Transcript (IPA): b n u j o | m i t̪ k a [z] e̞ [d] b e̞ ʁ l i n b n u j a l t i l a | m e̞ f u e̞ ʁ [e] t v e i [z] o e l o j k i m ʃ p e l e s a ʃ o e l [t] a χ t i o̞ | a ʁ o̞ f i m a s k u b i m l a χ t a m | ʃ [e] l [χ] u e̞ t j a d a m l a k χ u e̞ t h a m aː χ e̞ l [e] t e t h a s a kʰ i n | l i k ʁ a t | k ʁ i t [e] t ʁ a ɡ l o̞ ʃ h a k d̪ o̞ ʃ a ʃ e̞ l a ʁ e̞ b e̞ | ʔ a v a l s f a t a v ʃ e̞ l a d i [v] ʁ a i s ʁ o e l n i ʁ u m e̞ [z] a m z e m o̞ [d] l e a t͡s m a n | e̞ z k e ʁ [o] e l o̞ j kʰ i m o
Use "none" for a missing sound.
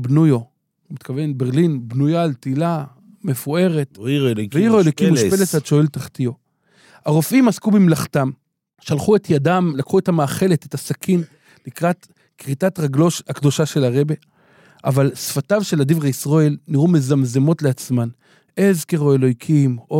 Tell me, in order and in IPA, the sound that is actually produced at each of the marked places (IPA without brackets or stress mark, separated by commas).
v, n, e, ʁ, t, a, χ, e, a, v, z, t, o